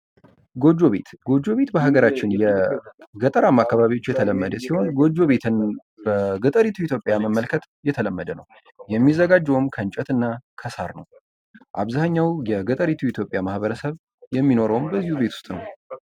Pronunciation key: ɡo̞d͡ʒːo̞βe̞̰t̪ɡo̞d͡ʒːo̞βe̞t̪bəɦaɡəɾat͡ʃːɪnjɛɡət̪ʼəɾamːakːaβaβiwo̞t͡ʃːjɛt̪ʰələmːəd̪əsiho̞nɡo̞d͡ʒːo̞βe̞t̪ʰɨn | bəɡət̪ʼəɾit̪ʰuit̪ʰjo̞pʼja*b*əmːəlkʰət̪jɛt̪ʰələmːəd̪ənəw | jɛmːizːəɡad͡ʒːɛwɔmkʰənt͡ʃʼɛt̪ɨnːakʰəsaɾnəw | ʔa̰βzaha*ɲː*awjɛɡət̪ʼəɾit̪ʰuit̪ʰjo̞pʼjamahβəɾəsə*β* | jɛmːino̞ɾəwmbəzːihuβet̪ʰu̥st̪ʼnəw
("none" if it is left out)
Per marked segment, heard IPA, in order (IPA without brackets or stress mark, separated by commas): m, ɲː, β